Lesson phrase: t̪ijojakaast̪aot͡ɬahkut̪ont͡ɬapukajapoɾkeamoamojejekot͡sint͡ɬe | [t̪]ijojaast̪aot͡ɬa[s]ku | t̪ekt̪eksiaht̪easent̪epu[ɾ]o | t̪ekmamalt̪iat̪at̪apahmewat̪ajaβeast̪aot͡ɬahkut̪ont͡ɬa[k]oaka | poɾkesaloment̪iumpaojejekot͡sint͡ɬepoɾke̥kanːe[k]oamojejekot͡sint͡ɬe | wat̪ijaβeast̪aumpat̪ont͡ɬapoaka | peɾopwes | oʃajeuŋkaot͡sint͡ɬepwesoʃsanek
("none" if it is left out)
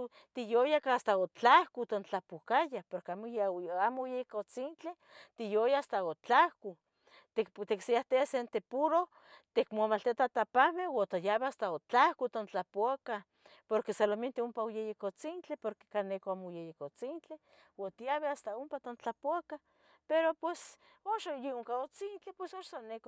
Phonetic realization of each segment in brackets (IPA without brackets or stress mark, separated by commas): t̪, h, ɾ, p, k